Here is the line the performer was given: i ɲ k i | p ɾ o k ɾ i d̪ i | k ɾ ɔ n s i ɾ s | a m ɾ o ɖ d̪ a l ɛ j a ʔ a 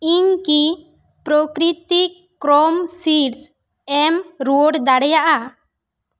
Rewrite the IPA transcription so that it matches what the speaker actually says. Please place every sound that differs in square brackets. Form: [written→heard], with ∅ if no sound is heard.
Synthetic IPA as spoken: i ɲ k i | p ɾ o k ɾ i [d̪→t̪] i | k ɾ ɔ [n→m] s i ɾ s | [a→ɛ] m ɾ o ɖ d̪ a [l→ɽ] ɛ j a ʔ a